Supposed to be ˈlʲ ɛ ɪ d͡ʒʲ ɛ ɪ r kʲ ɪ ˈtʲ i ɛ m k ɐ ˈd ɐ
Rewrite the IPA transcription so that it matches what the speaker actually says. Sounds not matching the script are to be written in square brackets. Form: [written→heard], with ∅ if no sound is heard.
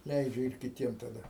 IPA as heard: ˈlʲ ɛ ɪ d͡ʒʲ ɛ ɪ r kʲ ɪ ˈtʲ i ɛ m [k→t] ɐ ˈd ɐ